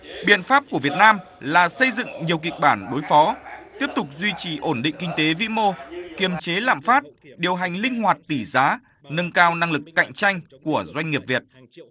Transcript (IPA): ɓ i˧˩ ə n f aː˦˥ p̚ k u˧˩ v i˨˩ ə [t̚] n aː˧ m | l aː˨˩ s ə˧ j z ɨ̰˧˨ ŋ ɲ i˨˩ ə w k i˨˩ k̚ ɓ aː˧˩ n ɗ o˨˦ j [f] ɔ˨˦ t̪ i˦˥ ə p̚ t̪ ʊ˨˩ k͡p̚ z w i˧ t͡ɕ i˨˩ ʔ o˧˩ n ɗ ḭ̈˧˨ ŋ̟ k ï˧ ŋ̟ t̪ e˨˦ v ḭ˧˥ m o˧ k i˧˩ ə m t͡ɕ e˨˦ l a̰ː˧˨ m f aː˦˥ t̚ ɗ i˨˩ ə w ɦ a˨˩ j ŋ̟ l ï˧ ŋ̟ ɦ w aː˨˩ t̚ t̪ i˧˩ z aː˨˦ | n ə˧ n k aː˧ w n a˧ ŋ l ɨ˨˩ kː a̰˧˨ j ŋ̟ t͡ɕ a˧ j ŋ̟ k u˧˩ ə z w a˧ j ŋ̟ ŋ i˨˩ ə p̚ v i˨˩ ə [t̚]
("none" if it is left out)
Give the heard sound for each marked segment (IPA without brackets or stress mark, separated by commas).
t̚, f, t̚